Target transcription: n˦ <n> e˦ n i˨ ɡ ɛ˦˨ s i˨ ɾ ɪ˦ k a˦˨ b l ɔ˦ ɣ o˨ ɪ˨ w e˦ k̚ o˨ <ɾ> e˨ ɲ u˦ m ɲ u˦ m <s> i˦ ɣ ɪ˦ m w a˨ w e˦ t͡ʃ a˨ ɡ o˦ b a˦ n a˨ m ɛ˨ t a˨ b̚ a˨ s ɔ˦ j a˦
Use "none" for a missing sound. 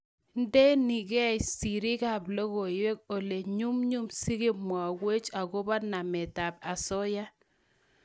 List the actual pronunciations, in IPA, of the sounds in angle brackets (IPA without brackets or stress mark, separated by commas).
d, l, s